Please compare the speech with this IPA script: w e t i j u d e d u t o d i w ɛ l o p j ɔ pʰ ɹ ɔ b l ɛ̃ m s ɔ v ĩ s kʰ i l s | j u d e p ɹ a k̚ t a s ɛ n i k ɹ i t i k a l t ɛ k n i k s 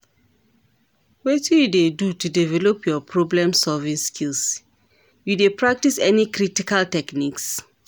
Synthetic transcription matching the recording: w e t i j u d e d u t u d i v ɛ l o p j ɔ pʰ ɹ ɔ b l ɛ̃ m s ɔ v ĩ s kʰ i l s | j u d e p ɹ a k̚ t i s ɛ n i k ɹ i t i k a l t ɛ k n i k s